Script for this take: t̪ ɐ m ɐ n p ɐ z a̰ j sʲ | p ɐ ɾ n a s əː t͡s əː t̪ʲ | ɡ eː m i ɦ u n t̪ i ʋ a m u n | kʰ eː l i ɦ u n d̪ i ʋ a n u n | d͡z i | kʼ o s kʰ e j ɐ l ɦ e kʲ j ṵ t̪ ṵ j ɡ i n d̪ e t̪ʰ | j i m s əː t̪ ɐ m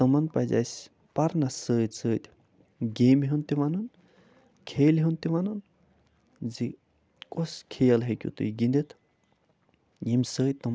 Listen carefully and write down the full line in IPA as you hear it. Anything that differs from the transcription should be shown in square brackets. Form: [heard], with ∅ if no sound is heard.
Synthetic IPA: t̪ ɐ m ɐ n p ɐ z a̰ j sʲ | p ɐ ɾ n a s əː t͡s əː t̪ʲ | ɡ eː m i ɦ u n t̪ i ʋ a [n] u n | kʰ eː l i ɦ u n [t̪] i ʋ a n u n | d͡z i | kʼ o s kʰ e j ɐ l ɦ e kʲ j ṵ t̪ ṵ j ɡ i n d̪ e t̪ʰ | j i m s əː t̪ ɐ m